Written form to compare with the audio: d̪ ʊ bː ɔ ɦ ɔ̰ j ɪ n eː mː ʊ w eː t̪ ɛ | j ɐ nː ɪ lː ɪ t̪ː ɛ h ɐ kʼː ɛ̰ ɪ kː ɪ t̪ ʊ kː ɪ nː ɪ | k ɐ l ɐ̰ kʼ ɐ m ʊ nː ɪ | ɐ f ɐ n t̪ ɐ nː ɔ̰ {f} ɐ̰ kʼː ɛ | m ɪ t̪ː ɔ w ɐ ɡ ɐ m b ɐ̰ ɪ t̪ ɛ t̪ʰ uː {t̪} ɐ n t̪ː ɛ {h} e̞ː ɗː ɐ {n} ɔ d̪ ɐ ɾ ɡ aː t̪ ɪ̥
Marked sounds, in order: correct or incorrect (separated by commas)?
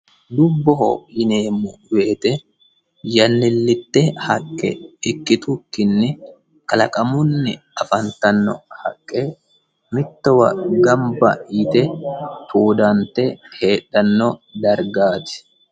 incorrect, incorrect, correct, incorrect